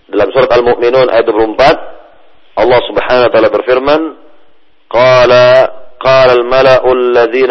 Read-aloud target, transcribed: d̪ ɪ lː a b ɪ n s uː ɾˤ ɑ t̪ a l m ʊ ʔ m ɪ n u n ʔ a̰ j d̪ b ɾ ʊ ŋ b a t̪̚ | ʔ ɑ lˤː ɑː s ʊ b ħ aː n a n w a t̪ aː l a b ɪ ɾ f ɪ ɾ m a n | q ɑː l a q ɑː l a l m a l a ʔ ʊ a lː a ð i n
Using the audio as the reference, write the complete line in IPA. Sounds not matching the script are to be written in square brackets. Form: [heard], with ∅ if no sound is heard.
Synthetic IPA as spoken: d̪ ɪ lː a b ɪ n s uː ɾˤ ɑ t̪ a l m ʊ ʔ m ɪ n [uː] n ʔ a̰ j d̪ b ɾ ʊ [m] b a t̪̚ | ʔ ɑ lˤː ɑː s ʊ b ħ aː n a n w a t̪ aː l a b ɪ ɾ f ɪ ɾ m a n | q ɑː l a q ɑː l a l m a l a ʔ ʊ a lː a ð [iː] n